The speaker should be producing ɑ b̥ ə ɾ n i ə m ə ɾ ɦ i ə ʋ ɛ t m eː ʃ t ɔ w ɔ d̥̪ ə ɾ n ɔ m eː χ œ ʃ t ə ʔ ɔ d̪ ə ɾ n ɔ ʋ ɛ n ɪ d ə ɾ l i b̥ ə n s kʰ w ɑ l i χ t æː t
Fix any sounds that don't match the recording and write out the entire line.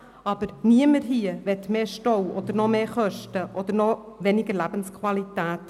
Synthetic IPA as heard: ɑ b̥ ə ɾ n i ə m ə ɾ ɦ i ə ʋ ɛ t m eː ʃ t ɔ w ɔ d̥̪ ə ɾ n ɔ m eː χ œ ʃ t ə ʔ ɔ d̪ ə ɾ n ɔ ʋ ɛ n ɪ ɡ ə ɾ l æ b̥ ə n s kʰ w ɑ l i t æː t